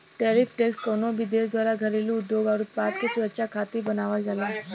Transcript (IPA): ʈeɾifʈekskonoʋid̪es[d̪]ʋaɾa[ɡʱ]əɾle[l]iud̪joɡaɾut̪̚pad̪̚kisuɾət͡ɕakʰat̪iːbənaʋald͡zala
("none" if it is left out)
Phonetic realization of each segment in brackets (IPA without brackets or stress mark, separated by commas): d̪, ɡʱ, l